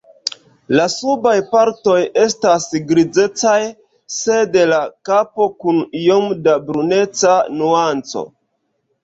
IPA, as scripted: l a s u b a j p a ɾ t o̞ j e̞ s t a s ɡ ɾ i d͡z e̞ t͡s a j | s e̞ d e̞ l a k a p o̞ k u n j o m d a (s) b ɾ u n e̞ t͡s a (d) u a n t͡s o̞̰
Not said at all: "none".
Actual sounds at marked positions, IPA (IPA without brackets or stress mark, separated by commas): none, n